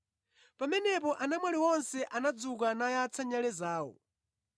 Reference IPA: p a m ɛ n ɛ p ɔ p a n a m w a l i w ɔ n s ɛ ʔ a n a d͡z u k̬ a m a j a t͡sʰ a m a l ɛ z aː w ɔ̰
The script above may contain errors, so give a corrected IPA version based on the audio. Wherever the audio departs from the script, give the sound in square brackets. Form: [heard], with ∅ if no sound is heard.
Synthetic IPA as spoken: p a m ɛ n ɛ p ɔ [ʔ] a n a m w a l i w ɔ n s ɛ ʔ a n a d͡z u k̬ a [n] a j a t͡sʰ a [ɲ] a l ɛ z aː w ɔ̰